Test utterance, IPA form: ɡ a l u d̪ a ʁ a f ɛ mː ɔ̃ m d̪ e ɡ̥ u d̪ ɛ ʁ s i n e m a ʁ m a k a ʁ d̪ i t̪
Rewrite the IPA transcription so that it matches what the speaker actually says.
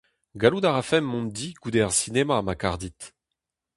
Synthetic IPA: ɡ a l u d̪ a ʁ a f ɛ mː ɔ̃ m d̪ i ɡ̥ u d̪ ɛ ʁ s i n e m a m a k a ʁ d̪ i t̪